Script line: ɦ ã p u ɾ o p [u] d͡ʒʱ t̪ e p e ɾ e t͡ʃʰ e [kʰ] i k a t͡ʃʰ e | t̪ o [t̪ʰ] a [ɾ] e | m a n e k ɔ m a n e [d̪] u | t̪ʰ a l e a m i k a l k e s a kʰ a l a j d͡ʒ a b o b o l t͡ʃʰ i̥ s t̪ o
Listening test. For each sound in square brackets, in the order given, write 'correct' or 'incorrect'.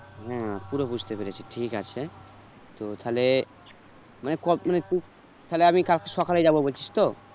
correct, incorrect, correct, incorrect, incorrect

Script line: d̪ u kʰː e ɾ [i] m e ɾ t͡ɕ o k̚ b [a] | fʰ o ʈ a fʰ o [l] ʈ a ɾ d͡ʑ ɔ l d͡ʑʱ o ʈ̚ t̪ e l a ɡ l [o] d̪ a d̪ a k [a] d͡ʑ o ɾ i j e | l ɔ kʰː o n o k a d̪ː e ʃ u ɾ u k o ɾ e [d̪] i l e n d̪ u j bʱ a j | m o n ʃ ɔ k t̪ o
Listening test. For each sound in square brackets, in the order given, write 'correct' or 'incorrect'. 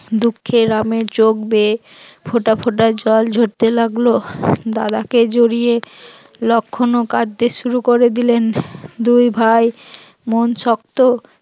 incorrect, incorrect, incorrect, correct, incorrect, correct

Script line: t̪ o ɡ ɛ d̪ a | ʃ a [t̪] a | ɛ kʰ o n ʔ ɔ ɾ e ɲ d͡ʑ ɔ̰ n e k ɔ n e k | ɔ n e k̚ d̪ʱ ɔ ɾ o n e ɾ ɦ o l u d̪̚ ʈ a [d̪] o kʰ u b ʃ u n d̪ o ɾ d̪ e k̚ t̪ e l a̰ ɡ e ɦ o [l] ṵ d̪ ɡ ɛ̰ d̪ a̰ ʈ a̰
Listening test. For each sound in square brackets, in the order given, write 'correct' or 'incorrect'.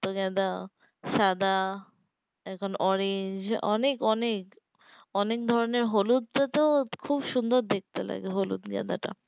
incorrect, incorrect, correct

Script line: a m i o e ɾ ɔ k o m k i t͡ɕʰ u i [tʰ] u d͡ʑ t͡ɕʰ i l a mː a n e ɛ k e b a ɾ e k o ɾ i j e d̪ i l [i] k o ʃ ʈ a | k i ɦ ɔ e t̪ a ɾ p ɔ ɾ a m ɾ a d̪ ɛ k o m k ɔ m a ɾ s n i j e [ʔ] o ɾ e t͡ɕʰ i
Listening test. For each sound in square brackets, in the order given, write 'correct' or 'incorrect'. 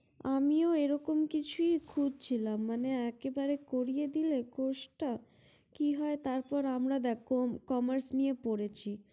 incorrect, incorrect, incorrect

